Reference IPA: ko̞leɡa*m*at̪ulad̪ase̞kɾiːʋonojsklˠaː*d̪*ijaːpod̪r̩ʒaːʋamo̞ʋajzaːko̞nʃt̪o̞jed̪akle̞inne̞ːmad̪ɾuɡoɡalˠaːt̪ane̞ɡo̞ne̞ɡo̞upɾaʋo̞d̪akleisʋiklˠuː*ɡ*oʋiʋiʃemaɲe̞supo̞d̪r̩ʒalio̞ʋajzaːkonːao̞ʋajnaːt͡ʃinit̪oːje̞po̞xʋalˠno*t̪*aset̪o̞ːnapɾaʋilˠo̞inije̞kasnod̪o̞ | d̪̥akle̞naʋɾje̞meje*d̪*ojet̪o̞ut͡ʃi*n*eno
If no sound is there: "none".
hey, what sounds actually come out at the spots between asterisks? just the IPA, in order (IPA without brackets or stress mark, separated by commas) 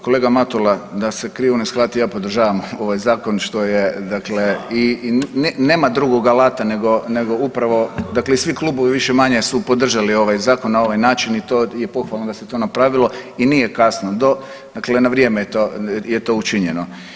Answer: m, t̪, b, d̪, t̪, ɲ